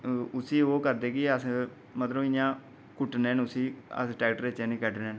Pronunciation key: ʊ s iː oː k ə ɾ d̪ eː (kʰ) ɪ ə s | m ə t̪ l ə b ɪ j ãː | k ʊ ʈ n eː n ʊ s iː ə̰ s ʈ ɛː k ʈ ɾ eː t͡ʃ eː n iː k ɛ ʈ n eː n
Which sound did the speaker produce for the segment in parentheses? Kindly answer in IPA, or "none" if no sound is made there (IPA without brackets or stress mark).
k